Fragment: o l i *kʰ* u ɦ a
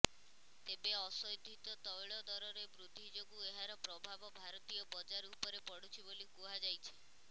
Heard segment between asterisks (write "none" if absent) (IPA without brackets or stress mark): k